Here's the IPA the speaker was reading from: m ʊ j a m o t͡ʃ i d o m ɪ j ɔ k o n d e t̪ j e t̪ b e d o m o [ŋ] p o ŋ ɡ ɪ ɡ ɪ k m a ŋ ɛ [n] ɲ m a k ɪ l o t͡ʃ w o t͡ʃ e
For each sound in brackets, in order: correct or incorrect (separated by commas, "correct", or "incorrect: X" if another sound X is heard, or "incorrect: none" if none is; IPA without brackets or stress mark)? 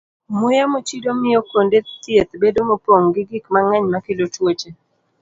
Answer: incorrect: none, incorrect: none